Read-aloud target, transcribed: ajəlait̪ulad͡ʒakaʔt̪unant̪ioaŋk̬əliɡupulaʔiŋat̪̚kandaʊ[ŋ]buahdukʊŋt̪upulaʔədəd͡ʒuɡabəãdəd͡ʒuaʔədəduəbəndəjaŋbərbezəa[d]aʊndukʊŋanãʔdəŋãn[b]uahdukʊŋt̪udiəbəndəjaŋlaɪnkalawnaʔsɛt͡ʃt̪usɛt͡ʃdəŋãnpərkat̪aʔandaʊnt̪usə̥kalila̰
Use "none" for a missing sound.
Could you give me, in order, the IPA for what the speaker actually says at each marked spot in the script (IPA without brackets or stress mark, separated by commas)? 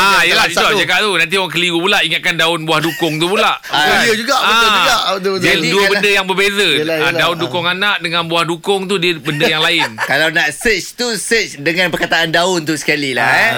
n, d, b